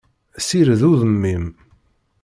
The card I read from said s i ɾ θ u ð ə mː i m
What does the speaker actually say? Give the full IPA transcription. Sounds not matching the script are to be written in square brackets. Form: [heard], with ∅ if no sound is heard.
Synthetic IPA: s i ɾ [ð] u ð ə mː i m